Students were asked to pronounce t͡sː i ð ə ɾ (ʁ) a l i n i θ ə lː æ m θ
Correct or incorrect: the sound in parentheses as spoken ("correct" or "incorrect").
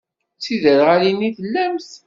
correct